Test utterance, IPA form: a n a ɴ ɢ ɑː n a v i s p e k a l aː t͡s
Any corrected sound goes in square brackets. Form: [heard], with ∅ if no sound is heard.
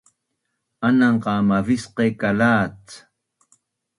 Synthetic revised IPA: a n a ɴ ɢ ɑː [m] a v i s [q] e k a l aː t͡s